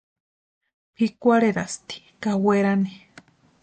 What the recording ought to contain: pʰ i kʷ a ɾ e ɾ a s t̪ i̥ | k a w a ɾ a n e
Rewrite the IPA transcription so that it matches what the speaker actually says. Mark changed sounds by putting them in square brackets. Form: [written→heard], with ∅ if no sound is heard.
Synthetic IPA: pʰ i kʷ a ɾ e ɾ a s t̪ i̥ | k a w [a→e] ɾ a n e